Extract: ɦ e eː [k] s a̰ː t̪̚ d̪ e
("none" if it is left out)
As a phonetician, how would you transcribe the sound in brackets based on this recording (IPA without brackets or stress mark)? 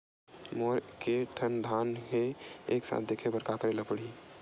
k